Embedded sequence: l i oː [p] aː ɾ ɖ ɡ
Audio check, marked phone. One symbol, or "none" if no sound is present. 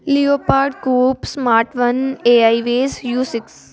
p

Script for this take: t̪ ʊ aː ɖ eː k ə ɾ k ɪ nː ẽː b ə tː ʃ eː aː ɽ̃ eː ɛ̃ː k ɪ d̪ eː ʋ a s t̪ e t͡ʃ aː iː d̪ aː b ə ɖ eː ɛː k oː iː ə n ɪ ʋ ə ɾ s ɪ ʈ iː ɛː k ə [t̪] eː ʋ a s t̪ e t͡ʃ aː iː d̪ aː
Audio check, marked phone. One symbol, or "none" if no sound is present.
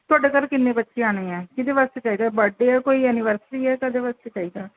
d̪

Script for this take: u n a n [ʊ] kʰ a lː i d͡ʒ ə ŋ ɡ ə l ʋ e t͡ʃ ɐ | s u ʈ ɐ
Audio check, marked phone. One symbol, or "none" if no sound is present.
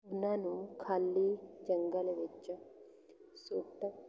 u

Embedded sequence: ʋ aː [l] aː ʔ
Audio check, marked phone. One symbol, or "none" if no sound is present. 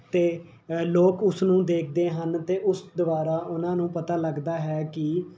ɾ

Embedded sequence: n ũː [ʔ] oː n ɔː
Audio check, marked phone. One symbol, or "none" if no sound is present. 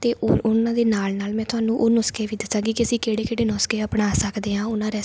ʔ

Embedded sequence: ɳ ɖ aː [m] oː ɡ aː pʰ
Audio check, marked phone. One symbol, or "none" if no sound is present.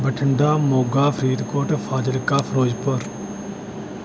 m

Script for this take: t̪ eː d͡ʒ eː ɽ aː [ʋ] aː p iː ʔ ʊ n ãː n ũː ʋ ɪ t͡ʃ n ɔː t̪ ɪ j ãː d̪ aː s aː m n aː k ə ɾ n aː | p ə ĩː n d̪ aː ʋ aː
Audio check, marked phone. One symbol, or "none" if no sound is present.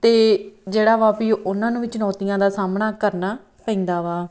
ʋ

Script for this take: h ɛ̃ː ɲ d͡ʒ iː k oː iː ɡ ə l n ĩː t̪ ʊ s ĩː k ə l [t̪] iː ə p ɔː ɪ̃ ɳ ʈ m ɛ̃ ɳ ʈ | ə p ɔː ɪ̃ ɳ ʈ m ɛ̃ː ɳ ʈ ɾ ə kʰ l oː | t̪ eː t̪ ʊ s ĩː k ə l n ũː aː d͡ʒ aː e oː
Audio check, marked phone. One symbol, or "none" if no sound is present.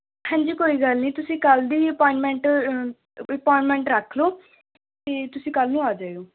d̪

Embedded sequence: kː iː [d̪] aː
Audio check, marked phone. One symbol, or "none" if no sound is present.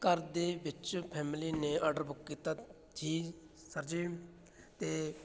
t̪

